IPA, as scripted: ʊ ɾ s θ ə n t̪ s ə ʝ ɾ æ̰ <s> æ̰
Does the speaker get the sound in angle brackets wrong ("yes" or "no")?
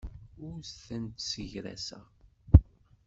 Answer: no